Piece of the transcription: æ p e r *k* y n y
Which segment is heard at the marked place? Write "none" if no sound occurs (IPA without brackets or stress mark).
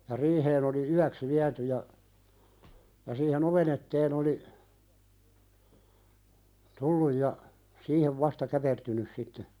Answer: t